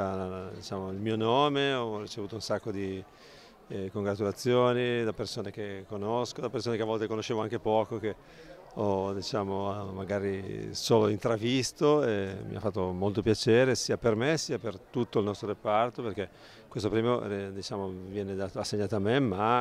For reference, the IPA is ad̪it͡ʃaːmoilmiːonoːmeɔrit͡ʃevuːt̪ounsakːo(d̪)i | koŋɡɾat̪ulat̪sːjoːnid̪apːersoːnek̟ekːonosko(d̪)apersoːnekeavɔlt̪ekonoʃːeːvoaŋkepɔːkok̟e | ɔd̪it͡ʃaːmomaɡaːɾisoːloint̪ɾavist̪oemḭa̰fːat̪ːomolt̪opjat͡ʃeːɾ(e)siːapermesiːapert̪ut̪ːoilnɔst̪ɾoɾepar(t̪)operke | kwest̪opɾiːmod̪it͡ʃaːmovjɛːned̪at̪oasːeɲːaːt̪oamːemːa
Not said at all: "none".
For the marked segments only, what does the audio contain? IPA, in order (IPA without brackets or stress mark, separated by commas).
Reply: d̪, d̪, e, t̪